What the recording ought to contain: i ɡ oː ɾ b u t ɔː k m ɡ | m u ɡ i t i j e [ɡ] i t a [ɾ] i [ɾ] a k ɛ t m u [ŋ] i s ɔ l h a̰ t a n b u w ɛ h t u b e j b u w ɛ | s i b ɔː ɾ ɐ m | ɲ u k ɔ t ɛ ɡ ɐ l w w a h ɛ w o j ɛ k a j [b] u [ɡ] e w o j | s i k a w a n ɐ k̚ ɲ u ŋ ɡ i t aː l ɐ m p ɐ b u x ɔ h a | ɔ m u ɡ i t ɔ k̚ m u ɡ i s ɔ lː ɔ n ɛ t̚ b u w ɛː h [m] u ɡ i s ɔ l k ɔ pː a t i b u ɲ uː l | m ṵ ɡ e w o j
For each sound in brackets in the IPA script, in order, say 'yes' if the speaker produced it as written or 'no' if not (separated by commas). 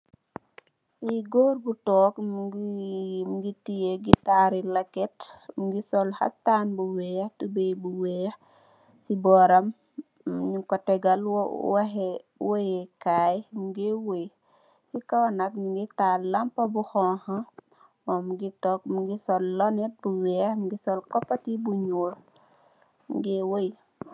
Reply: yes, yes, no, no, no, yes, yes